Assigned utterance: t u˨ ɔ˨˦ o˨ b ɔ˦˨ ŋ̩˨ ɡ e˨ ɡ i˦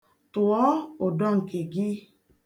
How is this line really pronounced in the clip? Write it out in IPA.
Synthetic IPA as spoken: t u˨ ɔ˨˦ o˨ d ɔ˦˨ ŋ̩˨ k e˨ ɡ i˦